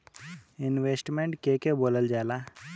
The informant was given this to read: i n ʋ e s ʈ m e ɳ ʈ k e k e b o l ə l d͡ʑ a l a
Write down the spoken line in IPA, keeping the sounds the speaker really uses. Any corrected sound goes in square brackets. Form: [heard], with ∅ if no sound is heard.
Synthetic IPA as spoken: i n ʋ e s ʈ m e ɳ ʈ k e k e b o l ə l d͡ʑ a l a